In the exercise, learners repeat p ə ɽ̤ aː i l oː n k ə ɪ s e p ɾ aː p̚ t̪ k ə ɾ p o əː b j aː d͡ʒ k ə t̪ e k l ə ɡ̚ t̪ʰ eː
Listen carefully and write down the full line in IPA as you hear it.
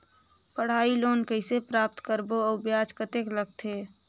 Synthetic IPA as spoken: p ə ɽ̤ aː i l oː n k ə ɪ s e p ɾ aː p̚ t̪ k ə ɾ b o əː b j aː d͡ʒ k ə t̪ e k l ə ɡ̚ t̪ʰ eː

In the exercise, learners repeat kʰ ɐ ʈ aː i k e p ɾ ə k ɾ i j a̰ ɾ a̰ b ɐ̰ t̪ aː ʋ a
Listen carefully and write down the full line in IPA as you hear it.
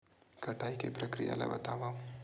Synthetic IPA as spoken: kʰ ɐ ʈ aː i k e p ɾ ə k ɾ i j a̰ l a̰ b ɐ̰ t̪ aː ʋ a

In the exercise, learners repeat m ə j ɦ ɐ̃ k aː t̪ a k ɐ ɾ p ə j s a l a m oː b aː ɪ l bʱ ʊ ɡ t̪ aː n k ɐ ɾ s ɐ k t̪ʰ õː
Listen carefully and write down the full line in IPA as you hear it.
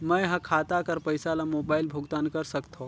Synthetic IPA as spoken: m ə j ɦ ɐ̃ kʰ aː t̪ a k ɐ ɾ p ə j s a l a m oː b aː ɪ l bʱ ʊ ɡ t̪ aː n k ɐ ɾ s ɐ k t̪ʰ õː

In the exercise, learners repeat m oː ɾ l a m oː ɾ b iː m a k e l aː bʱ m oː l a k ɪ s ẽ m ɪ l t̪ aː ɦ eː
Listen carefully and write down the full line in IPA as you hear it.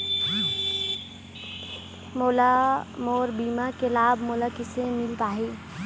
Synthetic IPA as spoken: m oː l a m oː ɾ b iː m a k e l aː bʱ m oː l a k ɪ s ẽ m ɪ l t̪ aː ɦ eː

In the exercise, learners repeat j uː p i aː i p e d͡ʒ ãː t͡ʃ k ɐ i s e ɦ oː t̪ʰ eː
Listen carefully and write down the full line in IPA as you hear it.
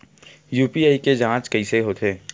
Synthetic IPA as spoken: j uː p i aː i k e d͡ʒ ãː t͡ʃ k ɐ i s e ɦ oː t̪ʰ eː

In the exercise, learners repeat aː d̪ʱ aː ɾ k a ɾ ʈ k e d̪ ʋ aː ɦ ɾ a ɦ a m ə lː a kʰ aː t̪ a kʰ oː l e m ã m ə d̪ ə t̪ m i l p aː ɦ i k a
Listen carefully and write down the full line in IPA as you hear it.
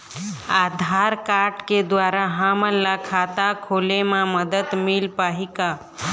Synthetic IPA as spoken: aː d̪ʱ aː ɾ k a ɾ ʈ k e d̪ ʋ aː ɾ a ɦ a m ə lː a kʰ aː t̪ a kʰ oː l e m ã m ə d̪ ə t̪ m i l p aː ɦ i k a

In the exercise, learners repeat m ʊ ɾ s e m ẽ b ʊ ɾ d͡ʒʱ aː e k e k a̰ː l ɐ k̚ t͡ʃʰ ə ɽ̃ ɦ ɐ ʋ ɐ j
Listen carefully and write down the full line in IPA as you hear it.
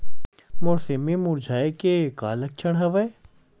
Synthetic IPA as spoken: m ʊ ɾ s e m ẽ m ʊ ɾ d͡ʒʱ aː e k e k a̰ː l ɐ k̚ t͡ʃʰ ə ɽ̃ ɦ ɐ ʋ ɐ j

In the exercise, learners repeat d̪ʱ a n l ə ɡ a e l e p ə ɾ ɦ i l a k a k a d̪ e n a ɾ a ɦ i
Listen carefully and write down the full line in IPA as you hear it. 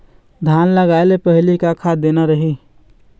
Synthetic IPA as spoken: d̪ʱ a n l ə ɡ a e l e p ə ɦ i l i k a kʰ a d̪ e n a ɾ ə ɦ i

